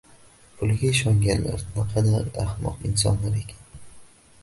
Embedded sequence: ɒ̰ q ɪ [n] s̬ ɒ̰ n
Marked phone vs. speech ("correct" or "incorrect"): correct